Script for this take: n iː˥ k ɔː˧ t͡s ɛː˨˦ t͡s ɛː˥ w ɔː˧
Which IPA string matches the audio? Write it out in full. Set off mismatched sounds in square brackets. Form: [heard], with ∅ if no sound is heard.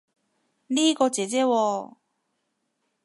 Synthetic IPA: n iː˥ k ɔː˧ t͡s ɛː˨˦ t͡s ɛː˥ w ɔː˧